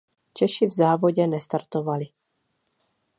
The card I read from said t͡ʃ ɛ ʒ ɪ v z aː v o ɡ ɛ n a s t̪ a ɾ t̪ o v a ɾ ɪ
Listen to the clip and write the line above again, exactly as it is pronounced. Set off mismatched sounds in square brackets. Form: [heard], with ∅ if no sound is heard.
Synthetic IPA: t͡ʃ ɛ [ʃ] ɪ v z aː v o [ɟ] ɛ n [ɛ] s t̪ a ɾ t̪ o v a [l] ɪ